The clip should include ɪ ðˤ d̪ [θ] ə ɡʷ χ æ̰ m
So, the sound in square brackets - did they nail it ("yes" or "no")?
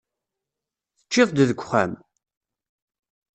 no